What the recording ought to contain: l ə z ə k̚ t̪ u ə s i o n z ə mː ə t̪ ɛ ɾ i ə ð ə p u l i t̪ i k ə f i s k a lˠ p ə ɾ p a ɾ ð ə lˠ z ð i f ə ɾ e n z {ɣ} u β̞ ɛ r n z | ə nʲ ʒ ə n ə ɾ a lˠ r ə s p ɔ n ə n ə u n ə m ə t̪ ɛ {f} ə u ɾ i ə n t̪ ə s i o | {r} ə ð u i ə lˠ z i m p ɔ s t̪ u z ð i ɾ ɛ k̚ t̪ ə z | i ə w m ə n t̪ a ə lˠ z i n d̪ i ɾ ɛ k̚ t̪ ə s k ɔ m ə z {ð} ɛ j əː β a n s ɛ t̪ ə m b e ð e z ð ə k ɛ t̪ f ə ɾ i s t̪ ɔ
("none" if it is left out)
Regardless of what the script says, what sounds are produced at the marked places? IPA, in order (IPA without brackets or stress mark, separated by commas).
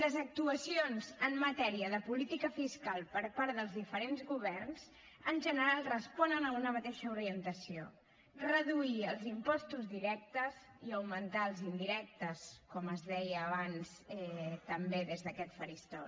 ɣ, ʃ, r, ð